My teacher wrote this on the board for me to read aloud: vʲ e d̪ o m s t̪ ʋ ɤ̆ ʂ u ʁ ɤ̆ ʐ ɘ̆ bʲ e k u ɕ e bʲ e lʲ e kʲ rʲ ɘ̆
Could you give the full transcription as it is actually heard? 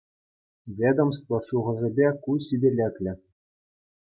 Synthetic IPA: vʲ e d̪ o m s t̪ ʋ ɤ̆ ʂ u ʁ ɤ̆ ʐ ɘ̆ bʲ e k u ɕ i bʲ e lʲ e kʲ lʲ ɘ̆